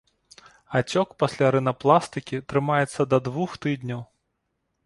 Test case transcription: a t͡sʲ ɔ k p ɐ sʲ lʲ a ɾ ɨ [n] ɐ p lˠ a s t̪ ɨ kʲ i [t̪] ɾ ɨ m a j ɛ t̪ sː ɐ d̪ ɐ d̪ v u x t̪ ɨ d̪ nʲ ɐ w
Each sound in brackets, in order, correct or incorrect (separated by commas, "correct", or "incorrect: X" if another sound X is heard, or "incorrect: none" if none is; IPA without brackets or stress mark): correct, correct